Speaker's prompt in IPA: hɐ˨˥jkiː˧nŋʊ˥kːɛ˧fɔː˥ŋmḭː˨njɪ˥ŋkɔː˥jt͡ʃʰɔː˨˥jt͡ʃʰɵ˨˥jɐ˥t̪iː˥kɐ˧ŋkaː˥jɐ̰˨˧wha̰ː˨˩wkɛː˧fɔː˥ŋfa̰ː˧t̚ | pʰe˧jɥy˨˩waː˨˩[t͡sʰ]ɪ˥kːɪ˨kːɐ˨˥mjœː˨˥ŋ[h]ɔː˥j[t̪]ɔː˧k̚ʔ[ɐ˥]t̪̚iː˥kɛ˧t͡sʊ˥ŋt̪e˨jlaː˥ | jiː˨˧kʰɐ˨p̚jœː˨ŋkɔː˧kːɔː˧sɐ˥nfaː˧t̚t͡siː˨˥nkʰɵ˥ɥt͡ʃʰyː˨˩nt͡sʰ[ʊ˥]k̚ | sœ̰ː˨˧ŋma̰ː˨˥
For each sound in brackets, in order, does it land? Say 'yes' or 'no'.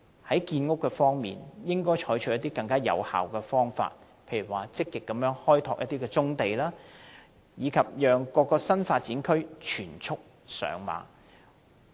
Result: no, yes, no, yes, yes

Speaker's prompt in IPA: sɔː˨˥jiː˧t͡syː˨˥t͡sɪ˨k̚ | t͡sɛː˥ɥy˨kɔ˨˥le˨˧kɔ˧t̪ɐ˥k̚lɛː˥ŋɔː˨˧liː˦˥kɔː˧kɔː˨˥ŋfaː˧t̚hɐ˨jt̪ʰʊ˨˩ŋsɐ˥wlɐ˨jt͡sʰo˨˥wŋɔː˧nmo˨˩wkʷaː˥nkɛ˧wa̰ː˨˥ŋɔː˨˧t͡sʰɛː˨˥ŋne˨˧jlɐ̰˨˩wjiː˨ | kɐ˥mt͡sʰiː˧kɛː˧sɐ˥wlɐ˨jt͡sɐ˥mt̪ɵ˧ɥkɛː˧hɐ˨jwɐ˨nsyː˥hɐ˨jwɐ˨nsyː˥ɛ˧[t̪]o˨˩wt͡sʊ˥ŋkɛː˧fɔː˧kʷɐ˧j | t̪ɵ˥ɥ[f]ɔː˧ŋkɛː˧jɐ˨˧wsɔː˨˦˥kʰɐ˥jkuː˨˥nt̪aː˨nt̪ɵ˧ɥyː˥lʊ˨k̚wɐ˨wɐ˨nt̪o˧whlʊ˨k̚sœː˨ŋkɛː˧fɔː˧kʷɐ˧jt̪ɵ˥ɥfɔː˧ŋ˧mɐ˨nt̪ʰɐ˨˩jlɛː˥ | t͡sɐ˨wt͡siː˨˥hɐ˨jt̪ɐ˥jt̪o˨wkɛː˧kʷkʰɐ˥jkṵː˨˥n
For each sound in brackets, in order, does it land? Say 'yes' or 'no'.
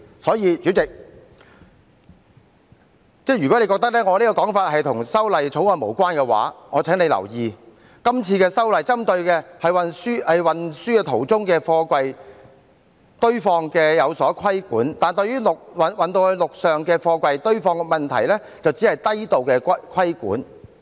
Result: no, yes

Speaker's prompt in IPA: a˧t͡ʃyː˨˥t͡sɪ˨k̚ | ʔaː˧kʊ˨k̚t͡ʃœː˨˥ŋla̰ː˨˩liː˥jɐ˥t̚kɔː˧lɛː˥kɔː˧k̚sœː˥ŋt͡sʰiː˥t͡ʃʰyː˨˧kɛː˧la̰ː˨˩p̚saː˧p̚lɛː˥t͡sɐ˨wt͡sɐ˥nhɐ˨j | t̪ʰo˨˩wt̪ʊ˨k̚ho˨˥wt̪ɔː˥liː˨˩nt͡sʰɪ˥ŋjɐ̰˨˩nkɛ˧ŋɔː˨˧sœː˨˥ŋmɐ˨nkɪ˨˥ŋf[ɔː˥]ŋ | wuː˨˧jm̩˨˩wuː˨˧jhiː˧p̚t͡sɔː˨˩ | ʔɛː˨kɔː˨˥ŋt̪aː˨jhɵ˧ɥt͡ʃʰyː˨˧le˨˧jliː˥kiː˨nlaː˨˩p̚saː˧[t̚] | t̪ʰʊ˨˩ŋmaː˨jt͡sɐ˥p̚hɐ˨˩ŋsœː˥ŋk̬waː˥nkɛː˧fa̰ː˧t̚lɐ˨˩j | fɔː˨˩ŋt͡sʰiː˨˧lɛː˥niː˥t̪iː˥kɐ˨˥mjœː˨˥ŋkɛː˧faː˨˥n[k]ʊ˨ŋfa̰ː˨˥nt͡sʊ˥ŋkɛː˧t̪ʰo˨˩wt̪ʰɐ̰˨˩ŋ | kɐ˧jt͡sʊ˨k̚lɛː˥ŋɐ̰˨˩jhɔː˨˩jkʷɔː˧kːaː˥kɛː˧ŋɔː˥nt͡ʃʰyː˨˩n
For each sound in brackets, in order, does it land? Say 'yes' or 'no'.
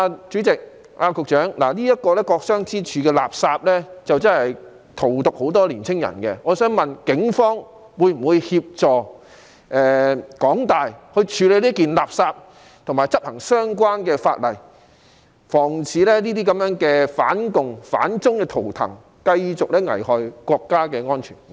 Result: yes, no, yes

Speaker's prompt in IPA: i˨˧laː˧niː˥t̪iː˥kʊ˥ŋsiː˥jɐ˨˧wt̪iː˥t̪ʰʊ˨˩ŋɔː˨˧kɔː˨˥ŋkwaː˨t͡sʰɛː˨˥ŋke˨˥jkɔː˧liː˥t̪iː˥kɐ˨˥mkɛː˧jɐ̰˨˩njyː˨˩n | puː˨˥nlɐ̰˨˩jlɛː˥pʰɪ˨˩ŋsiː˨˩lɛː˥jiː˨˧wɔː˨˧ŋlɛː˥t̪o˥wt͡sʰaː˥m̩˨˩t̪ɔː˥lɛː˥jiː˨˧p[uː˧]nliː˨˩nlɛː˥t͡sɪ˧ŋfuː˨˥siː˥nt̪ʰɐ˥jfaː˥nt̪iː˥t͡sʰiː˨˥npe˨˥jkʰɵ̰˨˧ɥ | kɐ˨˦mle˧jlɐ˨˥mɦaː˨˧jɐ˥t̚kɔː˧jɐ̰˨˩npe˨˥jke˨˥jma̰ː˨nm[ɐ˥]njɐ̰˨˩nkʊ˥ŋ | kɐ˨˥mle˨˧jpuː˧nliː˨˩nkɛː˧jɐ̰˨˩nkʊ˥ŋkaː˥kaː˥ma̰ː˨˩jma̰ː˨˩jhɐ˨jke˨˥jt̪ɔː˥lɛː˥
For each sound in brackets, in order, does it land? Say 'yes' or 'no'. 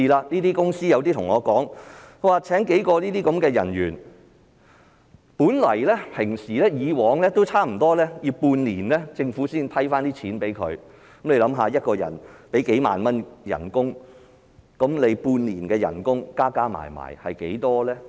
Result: yes, yes

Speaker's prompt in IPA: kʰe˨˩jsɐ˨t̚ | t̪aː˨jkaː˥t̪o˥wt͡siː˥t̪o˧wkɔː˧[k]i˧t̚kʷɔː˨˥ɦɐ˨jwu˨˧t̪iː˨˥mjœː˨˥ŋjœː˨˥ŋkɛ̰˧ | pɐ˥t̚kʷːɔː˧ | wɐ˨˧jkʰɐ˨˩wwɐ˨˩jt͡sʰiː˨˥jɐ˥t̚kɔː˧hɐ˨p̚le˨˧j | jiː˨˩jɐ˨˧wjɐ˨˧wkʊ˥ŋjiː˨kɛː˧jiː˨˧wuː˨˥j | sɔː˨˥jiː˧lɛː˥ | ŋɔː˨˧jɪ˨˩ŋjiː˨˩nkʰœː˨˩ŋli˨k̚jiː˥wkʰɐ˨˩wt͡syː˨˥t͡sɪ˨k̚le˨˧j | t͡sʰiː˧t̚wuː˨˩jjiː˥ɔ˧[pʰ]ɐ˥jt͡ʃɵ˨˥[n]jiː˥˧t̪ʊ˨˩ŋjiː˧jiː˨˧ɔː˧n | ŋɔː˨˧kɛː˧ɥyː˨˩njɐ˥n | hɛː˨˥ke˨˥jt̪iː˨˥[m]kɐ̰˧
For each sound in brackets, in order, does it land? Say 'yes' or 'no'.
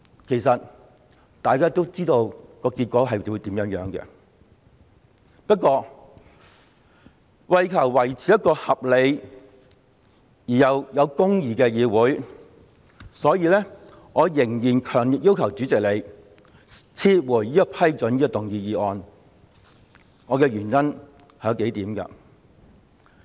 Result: yes, yes, yes, yes

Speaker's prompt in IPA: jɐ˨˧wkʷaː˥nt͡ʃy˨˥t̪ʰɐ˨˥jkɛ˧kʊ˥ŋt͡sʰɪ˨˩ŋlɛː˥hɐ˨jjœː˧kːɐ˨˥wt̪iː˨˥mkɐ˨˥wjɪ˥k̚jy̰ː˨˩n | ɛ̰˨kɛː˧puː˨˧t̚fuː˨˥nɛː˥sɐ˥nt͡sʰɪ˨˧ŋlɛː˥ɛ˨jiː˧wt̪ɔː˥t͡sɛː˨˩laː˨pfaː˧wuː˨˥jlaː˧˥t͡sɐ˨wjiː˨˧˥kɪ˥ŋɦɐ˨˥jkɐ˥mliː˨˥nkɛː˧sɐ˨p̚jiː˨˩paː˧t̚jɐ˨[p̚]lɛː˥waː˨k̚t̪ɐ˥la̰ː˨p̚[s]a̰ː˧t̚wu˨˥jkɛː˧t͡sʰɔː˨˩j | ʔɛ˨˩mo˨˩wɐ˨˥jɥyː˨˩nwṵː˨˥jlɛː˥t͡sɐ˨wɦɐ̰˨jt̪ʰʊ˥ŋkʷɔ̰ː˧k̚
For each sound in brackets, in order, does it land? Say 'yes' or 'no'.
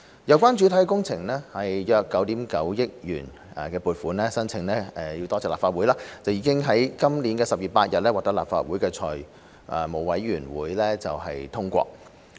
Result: no, no

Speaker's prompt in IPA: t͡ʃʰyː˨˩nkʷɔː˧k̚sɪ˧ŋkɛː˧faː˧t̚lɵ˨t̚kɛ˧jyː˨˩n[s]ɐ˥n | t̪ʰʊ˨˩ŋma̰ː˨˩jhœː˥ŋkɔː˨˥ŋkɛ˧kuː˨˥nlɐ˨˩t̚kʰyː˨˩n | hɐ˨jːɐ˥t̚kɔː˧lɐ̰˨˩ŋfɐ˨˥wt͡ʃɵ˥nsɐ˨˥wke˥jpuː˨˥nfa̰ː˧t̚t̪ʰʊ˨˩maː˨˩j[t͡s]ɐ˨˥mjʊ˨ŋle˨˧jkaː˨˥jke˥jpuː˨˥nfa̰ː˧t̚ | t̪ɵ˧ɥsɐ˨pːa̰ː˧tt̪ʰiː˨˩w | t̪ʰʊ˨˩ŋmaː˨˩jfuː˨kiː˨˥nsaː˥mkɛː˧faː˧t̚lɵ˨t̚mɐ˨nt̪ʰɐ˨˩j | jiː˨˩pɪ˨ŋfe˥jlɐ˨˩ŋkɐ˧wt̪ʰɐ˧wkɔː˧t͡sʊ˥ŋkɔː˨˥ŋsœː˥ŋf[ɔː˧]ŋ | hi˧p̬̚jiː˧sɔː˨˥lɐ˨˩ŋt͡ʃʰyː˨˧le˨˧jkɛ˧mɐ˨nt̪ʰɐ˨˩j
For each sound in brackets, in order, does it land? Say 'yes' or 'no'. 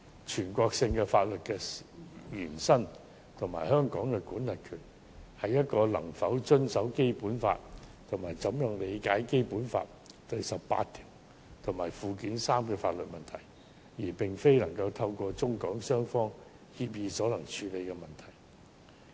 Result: yes, yes, no

